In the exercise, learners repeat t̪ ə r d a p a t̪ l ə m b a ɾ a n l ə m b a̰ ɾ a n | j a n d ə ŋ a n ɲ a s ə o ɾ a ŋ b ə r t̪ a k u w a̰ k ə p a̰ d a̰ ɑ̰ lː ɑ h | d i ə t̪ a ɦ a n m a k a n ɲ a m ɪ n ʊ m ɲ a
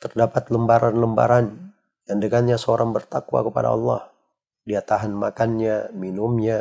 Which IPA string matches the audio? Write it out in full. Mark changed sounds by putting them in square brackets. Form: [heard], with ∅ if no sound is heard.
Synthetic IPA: t̪ ə r d a p a t̪ l ə m b a ɾ a n l ə m b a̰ ɾ a n | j a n d ə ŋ a n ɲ a s ə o ɾ a ŋ b ə r t̪ a k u w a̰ k ə p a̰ d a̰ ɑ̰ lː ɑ h | d i [a] t̪ a ɦ a n m a k a n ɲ a m [i] n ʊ m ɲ a